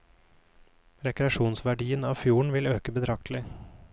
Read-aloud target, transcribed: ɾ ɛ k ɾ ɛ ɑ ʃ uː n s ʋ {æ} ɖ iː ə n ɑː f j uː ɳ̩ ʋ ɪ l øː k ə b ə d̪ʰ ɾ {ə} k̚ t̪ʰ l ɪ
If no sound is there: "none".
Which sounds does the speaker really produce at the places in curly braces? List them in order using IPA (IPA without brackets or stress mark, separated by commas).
æ, ɑ